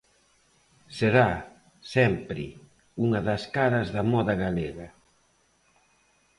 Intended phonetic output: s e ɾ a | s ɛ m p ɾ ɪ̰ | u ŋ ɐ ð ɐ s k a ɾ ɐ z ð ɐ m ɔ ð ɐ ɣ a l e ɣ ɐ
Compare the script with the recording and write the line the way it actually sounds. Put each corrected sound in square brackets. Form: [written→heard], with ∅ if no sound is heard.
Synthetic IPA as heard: s e ɾ a | s ɛ m p ɾ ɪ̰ | u ŋ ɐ ð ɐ s k a ɾ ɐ z ð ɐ m ɔ ð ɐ ɣ a l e ɣ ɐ